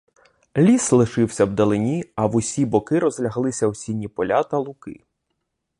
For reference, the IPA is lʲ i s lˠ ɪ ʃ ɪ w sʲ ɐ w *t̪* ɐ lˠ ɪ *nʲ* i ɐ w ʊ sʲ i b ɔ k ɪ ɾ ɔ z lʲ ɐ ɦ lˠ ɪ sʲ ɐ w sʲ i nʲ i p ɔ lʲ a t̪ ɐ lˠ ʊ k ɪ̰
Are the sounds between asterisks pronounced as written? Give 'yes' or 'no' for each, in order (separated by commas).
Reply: no, yes